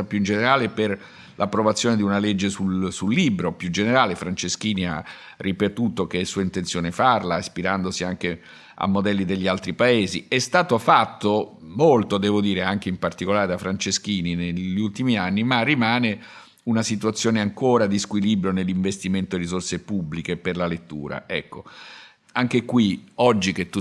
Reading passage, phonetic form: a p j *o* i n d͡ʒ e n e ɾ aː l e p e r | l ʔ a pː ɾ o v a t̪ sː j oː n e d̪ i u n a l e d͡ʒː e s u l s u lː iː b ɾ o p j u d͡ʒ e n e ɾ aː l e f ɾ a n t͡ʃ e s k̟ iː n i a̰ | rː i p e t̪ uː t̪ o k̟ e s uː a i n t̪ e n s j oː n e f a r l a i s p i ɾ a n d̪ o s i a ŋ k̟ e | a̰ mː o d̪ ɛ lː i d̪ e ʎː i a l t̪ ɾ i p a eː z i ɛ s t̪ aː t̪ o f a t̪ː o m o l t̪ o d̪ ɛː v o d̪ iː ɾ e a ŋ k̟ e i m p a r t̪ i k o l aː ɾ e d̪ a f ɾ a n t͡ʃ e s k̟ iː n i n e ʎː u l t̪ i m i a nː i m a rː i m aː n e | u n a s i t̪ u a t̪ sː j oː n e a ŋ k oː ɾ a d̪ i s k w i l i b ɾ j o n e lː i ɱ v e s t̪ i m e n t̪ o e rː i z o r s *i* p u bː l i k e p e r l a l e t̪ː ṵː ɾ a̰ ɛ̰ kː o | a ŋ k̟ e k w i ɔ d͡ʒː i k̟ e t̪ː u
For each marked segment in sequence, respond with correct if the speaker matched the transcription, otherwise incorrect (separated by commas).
incorrect, incorrect